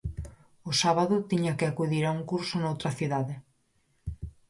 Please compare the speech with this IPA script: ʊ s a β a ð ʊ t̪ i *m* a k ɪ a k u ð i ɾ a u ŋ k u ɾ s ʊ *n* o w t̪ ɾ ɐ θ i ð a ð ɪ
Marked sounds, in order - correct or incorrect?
incorrect: ɲ, correct

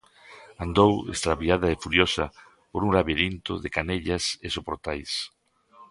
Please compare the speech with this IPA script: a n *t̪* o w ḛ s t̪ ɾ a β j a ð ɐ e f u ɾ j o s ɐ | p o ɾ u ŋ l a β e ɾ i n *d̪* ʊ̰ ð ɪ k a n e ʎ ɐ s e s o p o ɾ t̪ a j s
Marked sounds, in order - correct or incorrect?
incorrect: d̪, incorrect: t̪

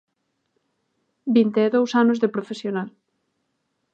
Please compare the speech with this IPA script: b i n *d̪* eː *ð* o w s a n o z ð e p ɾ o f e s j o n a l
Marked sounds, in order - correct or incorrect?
incorrect: t̪, correct

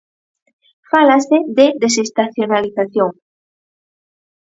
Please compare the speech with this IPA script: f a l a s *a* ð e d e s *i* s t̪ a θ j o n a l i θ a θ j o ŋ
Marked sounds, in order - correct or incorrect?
incorrect: e, incorrect: e

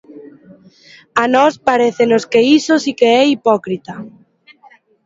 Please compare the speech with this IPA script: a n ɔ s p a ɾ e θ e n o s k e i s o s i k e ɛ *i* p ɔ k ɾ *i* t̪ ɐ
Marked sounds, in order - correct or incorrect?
correct, correct

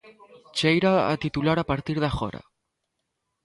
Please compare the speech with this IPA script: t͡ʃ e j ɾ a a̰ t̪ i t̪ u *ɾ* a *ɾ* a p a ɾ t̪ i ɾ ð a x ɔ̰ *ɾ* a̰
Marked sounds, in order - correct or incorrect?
incorrect: l, correct, correct

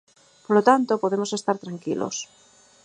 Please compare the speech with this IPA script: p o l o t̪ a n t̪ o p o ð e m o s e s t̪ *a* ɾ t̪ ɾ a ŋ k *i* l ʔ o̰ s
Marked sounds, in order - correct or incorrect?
correct, correct

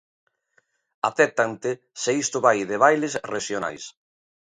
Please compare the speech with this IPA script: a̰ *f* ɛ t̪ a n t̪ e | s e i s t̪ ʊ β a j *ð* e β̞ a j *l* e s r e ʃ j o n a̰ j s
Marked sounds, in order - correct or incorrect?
incorrect: θ, correct, correct

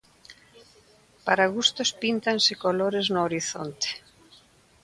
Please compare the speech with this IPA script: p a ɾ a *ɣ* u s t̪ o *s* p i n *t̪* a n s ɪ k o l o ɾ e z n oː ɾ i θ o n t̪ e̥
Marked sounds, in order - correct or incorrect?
correct, correct, correct

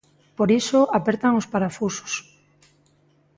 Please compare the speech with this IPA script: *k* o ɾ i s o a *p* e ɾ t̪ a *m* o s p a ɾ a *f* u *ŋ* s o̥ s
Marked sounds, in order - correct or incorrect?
incorrect: p, correct, incorrect: ŋ, correct, incorrect: none

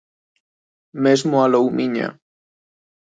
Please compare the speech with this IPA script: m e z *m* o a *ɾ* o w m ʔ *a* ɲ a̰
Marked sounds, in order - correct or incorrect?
correct, incorrect: l, incorrect: i

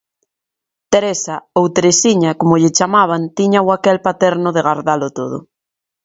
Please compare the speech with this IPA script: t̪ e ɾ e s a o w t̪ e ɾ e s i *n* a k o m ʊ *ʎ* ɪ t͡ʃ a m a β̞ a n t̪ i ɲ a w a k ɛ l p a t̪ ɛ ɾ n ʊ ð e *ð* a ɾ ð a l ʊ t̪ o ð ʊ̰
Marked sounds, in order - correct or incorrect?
incorrect: ɲ, correct, incorrect: ɣ

